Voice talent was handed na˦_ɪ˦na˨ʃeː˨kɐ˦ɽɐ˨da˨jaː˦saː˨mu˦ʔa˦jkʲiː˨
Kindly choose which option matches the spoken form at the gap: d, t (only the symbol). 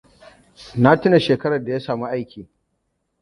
t